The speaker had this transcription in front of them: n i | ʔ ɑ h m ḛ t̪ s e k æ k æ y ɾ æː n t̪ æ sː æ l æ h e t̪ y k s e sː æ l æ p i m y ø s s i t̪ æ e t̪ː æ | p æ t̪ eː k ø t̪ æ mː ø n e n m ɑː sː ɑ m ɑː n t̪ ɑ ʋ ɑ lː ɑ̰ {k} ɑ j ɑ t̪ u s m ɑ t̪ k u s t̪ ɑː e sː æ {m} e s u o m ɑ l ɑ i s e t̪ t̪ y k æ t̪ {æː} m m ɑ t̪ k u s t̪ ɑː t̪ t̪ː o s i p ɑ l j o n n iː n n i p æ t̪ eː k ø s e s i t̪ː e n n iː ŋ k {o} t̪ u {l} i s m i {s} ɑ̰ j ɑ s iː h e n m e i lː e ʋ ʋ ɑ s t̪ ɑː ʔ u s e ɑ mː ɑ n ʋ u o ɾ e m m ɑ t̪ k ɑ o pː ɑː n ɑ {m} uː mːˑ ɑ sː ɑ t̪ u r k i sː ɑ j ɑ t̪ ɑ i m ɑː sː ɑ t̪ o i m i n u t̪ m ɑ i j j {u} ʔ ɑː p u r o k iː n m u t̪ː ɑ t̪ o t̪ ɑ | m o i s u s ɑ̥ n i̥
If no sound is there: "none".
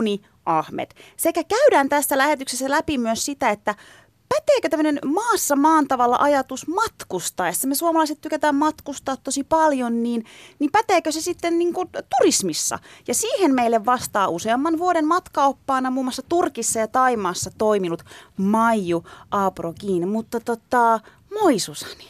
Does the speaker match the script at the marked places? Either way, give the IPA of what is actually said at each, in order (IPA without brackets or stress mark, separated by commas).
ʔ, m, æː, u, r, sː, m, u